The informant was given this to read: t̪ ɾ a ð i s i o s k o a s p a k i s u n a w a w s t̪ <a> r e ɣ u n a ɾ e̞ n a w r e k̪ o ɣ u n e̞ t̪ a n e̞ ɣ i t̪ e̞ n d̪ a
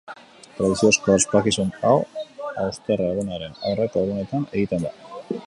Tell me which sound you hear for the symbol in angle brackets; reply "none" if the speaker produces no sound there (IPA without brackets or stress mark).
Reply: e